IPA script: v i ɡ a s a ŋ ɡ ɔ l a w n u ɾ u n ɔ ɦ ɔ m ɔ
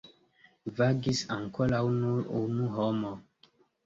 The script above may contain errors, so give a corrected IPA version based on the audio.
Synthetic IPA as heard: v a ɡ i s a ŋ k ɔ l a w n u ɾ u n u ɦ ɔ m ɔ